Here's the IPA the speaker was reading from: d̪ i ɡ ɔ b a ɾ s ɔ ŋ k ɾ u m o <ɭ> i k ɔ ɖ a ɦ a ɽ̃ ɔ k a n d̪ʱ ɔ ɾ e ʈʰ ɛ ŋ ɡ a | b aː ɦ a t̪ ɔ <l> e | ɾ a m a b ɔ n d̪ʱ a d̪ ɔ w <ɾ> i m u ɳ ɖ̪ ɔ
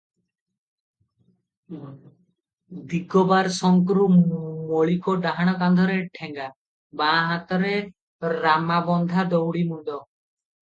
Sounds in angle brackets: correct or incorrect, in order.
correct, incorrect, incorrect

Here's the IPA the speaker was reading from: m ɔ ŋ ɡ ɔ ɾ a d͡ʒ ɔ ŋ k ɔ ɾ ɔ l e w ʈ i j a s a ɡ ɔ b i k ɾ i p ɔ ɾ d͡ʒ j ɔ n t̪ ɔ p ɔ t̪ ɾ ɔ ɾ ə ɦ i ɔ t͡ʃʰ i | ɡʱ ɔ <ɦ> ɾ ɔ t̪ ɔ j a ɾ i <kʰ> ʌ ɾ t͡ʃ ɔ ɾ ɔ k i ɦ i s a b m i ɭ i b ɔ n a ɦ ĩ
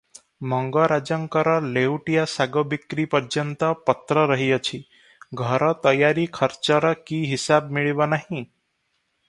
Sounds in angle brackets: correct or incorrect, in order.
incorrect, correct

